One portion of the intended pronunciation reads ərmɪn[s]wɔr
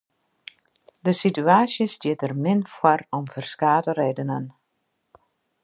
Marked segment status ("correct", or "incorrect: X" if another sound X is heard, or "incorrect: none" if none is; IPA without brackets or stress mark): incorrect: f